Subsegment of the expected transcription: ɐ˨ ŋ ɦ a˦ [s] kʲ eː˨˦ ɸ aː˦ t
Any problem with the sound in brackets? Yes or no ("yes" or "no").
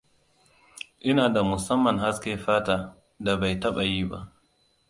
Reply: no